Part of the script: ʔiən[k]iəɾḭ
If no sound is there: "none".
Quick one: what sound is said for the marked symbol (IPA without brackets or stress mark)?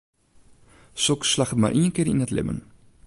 k